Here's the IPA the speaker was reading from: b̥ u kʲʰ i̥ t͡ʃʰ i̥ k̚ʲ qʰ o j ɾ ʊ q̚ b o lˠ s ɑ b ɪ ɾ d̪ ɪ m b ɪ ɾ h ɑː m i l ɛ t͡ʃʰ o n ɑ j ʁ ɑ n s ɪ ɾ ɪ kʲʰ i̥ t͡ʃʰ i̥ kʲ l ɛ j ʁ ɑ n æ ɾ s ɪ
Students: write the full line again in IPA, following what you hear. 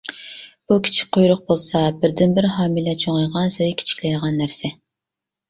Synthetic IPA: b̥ u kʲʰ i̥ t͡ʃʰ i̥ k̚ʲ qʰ o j ɾ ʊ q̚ b o lˠ s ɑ b ɪ ɾ d̪ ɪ n b ɪ ɾ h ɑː m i l ɛ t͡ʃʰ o ŋ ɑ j ʁ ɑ n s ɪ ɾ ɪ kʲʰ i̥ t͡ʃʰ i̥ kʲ l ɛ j ʁ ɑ nː æ ɾ s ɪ